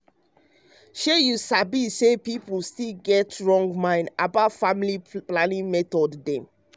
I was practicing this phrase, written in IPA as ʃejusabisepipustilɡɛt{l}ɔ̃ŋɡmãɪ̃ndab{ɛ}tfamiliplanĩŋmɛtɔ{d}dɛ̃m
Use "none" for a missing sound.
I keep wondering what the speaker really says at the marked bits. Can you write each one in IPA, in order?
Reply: ɹ, a, d

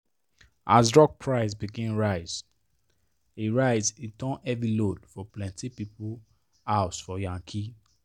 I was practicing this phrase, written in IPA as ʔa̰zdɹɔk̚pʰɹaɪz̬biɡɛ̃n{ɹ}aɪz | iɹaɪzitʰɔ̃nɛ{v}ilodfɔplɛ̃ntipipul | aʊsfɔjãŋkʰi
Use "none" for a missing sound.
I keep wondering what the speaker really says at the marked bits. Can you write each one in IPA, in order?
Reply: ɹ, v

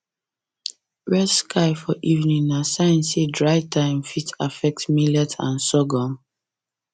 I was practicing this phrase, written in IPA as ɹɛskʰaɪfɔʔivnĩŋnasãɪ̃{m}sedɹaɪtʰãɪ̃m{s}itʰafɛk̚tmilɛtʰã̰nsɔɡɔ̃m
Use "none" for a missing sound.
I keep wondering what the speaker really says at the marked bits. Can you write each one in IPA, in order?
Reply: n, f

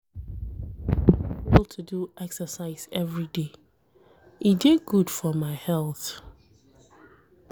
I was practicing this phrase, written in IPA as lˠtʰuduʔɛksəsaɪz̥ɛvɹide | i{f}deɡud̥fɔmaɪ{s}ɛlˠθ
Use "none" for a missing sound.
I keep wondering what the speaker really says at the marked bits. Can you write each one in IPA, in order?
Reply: none, h

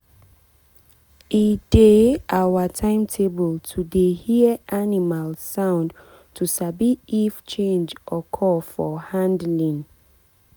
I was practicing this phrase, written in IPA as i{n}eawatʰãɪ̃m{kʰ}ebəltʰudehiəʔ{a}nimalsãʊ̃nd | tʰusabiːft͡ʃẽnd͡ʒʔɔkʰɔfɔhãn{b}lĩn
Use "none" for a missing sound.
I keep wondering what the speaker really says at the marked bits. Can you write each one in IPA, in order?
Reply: d, tʰ, a, d

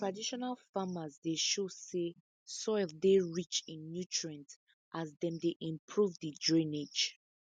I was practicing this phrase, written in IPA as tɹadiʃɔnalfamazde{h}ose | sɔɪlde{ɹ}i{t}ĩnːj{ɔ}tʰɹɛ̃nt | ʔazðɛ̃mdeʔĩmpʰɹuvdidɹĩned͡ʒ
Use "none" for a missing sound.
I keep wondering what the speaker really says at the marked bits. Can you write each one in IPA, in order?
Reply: ʃ, ɹ, t͡ʃ, u

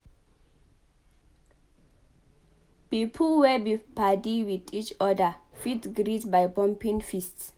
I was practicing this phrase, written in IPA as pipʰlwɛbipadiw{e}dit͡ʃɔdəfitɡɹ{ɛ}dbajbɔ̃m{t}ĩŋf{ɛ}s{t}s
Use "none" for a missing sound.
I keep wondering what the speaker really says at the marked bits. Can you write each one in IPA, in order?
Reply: i, i, p, i, t

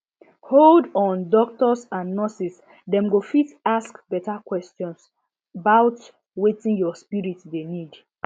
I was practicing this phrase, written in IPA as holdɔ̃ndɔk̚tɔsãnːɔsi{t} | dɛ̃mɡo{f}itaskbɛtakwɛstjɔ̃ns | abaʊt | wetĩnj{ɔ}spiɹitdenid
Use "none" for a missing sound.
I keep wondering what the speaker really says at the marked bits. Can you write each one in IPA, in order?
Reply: s, f, ɔ

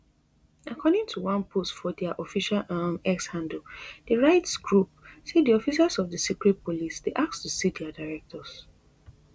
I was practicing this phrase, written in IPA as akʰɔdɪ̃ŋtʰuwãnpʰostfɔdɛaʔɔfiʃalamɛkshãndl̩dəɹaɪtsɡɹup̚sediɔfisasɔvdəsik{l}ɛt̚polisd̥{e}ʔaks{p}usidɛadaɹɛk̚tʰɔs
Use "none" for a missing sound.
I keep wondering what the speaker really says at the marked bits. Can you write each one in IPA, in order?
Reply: ɹ, e, t

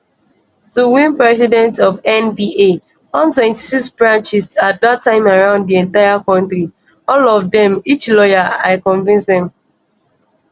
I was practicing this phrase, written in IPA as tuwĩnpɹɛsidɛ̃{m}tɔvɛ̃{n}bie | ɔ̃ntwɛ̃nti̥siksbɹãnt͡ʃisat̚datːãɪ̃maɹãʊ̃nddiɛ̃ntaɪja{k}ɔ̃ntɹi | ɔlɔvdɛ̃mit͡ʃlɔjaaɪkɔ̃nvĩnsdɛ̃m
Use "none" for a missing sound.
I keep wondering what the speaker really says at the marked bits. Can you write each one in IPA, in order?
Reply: n, n, k

